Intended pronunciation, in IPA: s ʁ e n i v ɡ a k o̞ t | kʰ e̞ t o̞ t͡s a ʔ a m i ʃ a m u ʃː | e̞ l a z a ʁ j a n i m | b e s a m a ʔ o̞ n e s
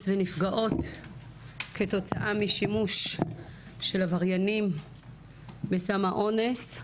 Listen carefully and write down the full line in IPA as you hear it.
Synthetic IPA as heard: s v e n i f ɡ a ʔ o̞ t | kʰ e̞ t o̞ t͡s a ʔ a m i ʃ i m u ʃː | e̞ l a v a ʁ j a n i m | b e s a m a ʔ o̞ n e s